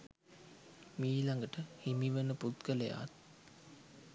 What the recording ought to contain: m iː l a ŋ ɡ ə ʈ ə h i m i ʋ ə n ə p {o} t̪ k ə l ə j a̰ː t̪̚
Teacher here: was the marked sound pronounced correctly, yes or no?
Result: no